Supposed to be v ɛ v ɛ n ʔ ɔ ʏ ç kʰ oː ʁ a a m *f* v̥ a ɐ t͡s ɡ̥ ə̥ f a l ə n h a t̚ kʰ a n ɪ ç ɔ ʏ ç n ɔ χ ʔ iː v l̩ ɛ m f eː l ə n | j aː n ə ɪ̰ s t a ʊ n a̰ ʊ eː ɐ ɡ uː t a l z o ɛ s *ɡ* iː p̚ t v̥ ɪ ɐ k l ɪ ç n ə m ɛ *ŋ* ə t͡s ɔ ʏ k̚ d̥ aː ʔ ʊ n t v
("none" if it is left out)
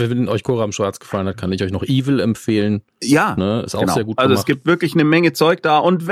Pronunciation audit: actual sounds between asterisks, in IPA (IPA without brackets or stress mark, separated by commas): ʃ, ɡ, ŋ